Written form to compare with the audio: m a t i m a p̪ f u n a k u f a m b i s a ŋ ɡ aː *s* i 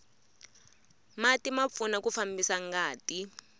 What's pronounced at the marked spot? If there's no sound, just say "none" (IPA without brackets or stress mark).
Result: t